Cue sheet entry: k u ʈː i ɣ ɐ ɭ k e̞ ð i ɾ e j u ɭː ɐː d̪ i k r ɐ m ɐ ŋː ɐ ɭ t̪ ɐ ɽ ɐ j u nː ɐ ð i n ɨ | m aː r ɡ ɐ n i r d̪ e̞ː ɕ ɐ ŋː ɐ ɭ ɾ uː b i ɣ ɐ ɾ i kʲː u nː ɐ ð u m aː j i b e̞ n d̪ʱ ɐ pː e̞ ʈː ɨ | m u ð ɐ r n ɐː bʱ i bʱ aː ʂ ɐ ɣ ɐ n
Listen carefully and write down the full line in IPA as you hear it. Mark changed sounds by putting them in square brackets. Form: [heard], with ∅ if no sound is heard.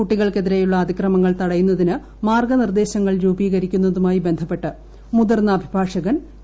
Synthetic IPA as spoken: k u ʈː i ɣ ɐ ɭ k e̞ ð i ɾ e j u ɭː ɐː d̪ i k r ɐ m ɐ ŋː ɐ ɭ t̪ ɐ ɽ ɐ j u nː ɐ ð i n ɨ | m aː r ɡ ɐ n i r d̪ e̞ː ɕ ɐ ŋː ɐ ɭ ɾ uː b [iː] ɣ ɐ ɾ i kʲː u nː ɐ ð u m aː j i b e̞ n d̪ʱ ɐ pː e̞ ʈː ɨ | m u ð ɐ r n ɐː bʱ i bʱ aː ʂ ɐ ɣ ɐ n